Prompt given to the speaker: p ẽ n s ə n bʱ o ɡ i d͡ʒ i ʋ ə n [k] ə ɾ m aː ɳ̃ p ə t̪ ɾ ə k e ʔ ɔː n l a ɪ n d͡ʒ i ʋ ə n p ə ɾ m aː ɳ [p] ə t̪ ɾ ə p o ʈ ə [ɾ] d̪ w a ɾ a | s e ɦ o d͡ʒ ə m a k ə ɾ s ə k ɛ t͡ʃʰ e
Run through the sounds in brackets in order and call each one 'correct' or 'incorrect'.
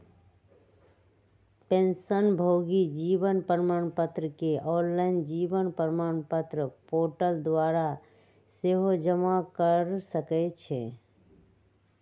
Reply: incorrect: p, correct, incorrect: l

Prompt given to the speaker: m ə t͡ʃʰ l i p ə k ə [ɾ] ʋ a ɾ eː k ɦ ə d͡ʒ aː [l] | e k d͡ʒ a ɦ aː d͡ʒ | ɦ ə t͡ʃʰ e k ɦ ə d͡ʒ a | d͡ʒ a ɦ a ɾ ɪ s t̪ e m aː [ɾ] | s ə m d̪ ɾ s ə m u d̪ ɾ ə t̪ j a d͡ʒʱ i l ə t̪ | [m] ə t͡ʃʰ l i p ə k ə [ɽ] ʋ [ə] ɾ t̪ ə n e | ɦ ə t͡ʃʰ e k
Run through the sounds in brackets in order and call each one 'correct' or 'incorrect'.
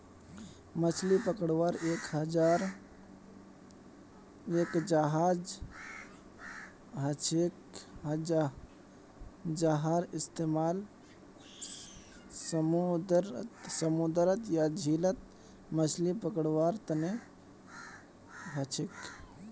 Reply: incorrect: ɽ, incorrect: ɾ, incorrect: l, correct, correct, incorrect: a

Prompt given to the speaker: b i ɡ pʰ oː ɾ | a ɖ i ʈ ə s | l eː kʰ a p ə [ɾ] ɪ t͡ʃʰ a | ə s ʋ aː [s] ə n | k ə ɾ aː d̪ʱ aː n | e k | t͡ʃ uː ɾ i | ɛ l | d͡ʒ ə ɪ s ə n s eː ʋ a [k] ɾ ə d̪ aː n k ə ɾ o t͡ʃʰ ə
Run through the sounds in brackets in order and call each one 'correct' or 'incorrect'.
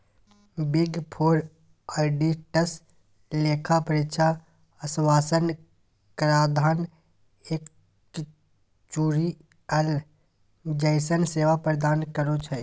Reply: correct, correct, incorrect: p

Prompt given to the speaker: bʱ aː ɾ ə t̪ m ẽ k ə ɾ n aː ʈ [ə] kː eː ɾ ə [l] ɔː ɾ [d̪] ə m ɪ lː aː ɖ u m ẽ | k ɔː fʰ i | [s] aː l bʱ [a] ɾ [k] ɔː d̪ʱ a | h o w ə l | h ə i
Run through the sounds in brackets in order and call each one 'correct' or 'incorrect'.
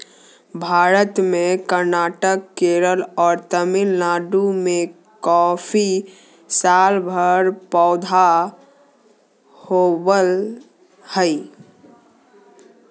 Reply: correct, correct, incorrect: t̪, correct, incorrect: ə, incorrect: p

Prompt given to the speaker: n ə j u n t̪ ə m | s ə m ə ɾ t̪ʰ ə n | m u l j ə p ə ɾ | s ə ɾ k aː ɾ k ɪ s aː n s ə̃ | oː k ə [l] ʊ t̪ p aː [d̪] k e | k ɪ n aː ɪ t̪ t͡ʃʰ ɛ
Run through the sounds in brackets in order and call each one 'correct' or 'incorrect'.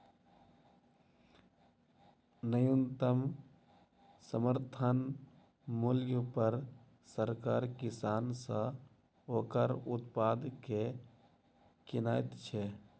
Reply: incorrect: ɾ, correct

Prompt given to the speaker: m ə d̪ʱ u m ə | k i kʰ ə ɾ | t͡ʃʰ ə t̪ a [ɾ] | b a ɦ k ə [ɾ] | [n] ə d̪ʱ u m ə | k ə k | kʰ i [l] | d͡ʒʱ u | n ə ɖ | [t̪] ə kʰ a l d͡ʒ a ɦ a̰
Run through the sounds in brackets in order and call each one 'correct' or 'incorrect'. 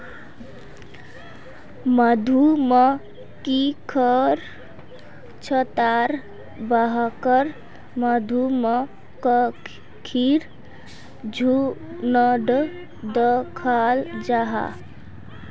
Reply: correct, correct, incorrect: m, incorrect: ɾ, incorrect: d̪

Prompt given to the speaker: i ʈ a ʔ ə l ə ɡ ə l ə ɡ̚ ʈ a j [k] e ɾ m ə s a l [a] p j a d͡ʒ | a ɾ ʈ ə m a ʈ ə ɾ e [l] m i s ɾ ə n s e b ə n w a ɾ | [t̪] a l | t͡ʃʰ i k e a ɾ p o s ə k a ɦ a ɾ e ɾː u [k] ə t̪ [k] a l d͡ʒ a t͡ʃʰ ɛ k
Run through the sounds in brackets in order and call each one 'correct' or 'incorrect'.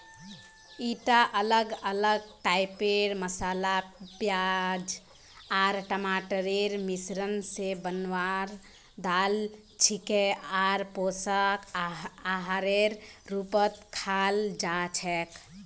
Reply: incorrect: p, correct, incorrect: ɾ, incorrect: d̪, incorrect: p, incorrect: kʰ

